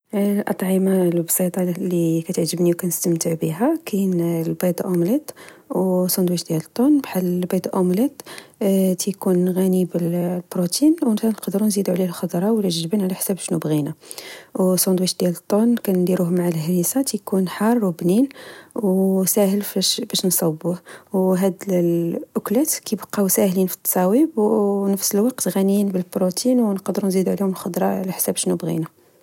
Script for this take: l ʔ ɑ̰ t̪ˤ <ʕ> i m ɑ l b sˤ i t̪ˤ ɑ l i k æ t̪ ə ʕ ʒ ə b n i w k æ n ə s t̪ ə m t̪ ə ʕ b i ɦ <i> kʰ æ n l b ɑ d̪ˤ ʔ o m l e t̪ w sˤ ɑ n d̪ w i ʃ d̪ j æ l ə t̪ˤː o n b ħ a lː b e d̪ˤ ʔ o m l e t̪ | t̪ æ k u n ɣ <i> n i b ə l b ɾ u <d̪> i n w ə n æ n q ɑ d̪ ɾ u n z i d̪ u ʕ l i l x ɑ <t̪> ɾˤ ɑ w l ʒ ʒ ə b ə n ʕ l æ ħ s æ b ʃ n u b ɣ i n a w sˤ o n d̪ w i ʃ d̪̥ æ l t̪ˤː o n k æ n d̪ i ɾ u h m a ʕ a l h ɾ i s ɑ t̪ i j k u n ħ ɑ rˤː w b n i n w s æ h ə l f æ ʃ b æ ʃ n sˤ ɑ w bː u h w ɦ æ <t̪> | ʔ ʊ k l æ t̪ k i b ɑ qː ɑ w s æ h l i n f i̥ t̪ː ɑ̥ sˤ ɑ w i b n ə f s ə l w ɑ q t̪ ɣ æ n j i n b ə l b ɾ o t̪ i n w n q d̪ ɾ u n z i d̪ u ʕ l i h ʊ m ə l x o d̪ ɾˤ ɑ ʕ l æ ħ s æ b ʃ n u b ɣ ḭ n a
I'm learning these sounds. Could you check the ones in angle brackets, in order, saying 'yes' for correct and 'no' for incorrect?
yes, no, no, no, no, no

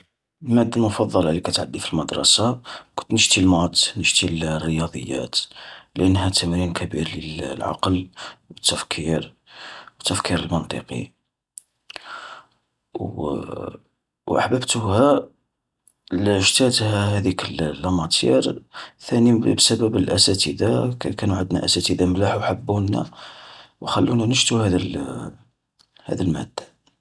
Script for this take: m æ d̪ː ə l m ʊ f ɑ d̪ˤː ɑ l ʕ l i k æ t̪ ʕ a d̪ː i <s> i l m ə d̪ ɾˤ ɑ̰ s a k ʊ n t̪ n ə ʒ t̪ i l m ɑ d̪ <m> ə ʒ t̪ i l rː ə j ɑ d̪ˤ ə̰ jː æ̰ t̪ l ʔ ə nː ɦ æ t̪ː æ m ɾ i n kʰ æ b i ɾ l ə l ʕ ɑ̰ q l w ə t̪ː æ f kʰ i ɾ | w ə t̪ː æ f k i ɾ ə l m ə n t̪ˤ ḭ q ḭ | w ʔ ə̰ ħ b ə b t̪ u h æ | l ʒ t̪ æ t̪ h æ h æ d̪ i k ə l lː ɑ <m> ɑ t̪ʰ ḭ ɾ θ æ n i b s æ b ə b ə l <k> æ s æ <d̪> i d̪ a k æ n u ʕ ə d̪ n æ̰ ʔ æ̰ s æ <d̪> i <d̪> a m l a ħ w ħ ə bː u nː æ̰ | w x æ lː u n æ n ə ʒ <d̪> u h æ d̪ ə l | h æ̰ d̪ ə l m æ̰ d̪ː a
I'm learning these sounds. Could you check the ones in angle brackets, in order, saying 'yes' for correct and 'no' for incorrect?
no, no, yes, no, no, no, yes, no

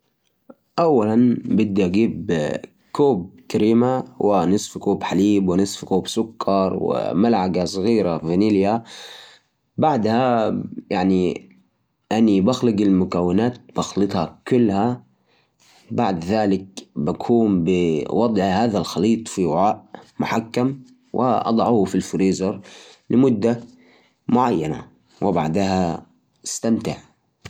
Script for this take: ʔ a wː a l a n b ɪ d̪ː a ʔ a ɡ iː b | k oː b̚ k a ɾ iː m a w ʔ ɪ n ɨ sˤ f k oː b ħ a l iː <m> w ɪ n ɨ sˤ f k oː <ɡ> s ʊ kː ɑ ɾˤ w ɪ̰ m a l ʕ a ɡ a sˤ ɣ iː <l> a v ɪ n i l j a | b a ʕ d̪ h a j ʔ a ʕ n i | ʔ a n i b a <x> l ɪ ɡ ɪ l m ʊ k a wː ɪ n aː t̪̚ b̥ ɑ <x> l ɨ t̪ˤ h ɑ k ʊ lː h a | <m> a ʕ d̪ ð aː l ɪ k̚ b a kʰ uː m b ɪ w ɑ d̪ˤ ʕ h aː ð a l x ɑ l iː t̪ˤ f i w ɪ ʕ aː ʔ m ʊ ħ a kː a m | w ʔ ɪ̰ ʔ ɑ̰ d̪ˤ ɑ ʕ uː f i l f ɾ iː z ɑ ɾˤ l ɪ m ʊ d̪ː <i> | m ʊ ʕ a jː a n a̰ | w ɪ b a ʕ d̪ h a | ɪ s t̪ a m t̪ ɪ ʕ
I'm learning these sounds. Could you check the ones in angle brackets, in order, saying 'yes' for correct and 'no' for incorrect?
no, no, no, yes, yes, no, no

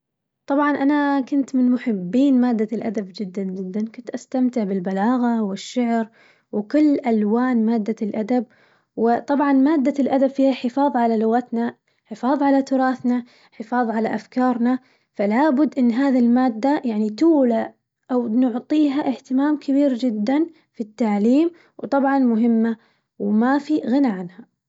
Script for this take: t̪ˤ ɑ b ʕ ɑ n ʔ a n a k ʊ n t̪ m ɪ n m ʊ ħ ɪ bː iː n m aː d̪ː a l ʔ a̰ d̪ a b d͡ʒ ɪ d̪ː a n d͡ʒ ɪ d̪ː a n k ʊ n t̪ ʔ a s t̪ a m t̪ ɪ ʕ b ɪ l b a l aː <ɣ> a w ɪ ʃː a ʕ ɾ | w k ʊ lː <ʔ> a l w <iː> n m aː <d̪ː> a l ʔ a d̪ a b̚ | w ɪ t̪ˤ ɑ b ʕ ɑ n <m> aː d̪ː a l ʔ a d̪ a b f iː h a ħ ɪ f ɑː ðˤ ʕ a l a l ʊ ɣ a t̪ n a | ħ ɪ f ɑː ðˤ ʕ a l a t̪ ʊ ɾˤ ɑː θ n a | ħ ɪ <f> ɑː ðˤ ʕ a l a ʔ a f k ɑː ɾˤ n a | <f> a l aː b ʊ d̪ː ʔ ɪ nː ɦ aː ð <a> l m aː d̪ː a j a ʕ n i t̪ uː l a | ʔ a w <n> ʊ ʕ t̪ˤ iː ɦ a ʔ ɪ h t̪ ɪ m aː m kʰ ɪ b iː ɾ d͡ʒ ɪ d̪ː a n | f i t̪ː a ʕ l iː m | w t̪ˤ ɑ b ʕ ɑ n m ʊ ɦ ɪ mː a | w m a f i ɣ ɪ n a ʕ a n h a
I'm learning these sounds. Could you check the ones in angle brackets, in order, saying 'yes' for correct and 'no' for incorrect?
yes, yes, no, yes, yes, yes, yes, no, yes

